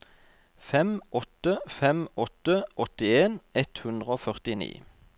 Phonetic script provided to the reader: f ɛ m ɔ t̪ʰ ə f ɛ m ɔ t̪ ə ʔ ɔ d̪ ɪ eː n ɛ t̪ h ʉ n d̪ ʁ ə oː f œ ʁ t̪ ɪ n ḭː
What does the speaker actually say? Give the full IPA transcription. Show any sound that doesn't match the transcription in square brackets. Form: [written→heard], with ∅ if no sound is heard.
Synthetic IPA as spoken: f ɛ m ɔ [t̪ʰ→t̪] ə f ɛ m ɔ t̪ ə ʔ ɔ [d̪→t̪] ɪ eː n ɛ t̪ h ʉ n d̪ ʁ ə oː f œ ʁ t̪ ɪ n ḭː